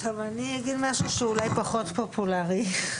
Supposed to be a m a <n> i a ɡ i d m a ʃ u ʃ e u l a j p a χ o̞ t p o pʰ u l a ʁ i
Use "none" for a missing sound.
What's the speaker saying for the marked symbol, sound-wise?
n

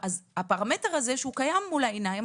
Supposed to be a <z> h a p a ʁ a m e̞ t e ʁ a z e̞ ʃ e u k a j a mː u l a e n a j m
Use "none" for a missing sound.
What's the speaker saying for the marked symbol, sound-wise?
z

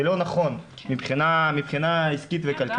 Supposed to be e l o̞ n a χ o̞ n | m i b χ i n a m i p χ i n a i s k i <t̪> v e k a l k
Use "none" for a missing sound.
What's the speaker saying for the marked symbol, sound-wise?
t̪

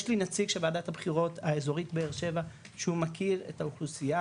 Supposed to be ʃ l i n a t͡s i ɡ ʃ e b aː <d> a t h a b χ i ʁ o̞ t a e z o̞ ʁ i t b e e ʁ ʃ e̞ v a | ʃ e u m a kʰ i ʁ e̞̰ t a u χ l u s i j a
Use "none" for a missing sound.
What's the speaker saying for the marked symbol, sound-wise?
d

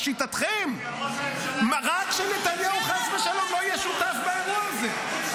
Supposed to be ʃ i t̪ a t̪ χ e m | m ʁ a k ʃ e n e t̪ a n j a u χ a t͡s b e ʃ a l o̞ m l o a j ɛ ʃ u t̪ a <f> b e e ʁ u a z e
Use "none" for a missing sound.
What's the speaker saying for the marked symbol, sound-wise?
f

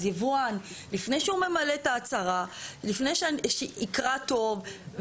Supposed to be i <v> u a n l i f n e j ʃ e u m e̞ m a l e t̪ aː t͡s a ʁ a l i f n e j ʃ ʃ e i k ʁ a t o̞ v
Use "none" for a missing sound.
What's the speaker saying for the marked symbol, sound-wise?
v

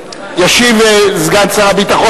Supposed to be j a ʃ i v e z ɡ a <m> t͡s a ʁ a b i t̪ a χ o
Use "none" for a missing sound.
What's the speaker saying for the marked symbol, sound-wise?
n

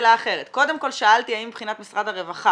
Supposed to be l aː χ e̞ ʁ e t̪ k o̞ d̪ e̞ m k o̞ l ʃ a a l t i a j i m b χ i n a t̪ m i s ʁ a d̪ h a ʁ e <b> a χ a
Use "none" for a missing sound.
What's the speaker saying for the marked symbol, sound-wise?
v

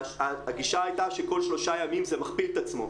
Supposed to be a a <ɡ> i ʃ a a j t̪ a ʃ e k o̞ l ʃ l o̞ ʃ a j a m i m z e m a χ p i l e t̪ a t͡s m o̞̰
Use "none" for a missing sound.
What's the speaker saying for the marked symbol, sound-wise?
ɡ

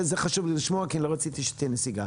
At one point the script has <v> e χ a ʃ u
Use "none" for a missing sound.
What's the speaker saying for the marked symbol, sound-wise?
z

